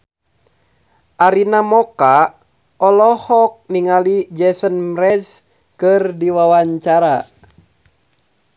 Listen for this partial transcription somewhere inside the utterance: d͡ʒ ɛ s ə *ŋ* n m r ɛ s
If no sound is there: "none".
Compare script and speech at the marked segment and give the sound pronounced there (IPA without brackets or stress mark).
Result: none